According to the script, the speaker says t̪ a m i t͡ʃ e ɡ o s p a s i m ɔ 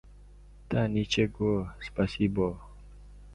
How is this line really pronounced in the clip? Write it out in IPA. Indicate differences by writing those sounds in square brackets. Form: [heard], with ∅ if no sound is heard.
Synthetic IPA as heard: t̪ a [n] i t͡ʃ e ɡ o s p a s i [b] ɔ